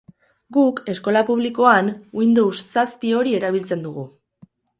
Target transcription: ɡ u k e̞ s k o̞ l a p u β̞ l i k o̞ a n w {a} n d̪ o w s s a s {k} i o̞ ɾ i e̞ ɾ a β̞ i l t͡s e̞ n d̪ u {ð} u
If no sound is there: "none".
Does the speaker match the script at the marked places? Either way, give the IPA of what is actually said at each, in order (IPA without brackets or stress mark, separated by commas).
i, p, ɣ